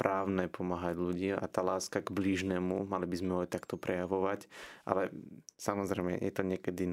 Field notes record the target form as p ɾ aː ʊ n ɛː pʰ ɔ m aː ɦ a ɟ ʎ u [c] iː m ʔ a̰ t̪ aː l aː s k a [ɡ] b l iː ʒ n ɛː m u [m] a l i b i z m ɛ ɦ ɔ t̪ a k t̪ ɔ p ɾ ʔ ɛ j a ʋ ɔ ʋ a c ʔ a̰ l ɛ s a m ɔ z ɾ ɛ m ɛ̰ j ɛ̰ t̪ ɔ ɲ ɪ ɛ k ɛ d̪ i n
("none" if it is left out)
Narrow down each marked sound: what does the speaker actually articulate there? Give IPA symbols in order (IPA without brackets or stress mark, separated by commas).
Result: ɟ, ɡ, m